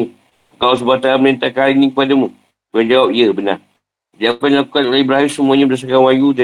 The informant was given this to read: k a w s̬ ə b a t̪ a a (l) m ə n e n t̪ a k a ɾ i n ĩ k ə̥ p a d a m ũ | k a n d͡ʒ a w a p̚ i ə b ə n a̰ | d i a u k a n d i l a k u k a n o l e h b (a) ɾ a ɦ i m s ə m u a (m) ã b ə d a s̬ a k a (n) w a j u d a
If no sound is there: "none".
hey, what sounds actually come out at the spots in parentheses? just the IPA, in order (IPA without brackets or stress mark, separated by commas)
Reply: none, ə, ɲ, n